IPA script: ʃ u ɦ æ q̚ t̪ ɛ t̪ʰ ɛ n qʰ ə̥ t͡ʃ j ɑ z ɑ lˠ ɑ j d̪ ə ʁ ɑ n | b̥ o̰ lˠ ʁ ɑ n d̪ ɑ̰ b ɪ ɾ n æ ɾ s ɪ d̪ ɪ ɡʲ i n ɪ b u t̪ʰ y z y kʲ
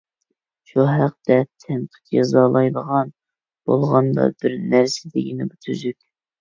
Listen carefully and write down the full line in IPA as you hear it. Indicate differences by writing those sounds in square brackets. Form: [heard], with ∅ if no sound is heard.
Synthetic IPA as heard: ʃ u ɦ æ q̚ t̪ ɛ t̪ʰ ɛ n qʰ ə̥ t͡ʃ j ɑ z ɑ lˠ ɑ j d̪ ə ʁ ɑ n | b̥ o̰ lˠ ʁ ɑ n d̪ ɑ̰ b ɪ ɾ n æ ɾ s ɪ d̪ ɪ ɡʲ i n ɪ b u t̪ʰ y z y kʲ